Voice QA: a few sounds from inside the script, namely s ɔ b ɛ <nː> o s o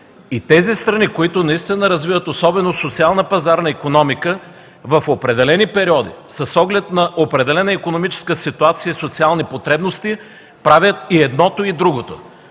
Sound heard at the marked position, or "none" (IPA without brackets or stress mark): n